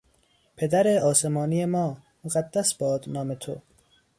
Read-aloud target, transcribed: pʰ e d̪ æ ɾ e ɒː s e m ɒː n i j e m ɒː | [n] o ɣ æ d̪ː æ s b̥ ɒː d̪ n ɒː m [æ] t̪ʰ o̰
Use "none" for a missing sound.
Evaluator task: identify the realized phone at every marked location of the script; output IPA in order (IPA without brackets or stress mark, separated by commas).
m, e